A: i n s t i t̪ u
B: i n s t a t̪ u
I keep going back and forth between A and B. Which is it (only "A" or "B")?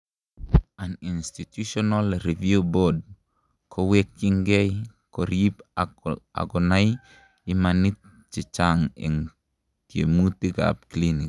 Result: A